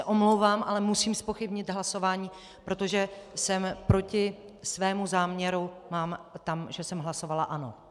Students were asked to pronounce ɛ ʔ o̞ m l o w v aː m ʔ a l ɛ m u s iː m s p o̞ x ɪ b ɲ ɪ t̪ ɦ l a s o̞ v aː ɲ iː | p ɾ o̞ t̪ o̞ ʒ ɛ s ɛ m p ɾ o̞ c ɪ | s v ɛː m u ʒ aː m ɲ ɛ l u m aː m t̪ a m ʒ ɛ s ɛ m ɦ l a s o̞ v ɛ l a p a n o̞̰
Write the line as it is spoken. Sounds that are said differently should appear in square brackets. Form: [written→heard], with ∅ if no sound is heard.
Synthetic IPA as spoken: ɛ ʔ o̞ m l o w v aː m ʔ a l ɛ m u s iː m s p o̞ x ɪ b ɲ ɪ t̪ ɦ l a s o̞ v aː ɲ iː | p ɾ o̞ t̪ o̞ ʒ ɛ s ɛ m p ɾ o̞ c ɪ | s v ɛː m u [ʒ→z] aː m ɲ ɛ [l→ɾ] u m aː m t̪ a m ʒ ɛ s ɛ m ɦ l a s o̞ v [ɛ→a] l a [p→ʔ] a n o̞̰